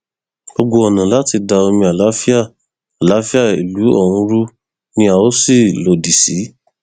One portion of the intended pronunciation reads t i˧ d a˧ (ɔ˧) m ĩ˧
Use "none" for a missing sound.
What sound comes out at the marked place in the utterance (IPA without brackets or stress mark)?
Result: o˧